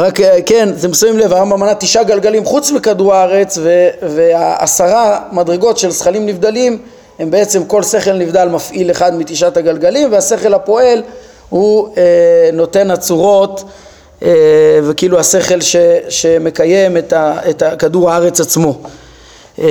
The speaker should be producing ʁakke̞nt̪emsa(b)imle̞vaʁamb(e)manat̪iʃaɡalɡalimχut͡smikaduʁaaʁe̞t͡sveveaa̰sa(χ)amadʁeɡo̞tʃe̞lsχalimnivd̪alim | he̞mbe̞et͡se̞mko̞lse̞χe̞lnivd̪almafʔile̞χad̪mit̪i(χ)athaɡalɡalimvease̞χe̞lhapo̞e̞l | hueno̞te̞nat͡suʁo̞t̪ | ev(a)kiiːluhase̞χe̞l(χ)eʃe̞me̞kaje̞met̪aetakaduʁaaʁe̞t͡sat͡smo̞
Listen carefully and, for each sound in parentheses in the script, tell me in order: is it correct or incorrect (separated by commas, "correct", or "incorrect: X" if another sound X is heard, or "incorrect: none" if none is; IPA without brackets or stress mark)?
incorrect: v, incorrect: a, incorrect: ʁ, incorrect: ʃ, incorrect: e, incorrect: ʃ